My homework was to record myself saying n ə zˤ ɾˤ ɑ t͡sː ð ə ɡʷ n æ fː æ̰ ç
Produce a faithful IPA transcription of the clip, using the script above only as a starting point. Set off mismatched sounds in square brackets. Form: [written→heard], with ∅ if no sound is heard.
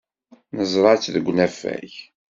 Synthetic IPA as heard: n ə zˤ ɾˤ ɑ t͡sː ð ə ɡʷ n æ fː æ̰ ç